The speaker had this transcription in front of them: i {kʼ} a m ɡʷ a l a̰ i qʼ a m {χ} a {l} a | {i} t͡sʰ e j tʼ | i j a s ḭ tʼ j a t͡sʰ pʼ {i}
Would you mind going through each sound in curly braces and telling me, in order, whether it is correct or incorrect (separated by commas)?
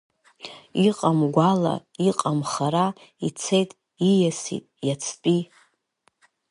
incorrect, correct, incorrect, correct, correct